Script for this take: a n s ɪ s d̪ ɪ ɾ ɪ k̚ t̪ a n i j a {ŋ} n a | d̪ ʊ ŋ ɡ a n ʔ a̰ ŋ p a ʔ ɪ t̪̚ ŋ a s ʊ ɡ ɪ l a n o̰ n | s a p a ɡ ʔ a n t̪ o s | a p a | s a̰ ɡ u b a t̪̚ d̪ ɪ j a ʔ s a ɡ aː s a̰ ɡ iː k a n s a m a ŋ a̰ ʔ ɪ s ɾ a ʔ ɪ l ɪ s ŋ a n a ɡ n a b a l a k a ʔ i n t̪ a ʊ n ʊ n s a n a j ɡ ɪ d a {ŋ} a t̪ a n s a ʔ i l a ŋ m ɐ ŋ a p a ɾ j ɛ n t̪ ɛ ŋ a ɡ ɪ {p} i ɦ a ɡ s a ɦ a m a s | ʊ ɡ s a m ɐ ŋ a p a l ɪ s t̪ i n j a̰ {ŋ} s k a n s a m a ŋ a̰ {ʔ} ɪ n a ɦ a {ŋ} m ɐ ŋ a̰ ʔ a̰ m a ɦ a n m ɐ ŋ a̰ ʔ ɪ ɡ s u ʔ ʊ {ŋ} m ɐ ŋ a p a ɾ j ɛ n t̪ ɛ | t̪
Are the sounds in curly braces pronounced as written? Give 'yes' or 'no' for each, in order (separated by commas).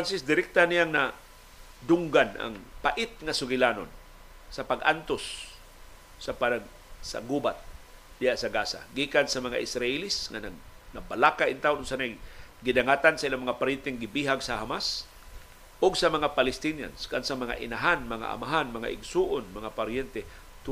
yes, yes, no, no, yes, no, no